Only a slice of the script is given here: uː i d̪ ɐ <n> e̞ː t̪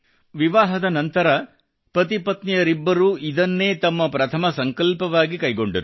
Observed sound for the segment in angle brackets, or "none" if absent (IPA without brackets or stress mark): nː